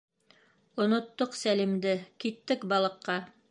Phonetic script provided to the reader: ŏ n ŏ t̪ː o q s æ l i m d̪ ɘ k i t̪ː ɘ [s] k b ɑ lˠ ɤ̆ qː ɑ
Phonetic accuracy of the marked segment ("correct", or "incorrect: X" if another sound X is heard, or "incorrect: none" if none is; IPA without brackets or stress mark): incorrect: none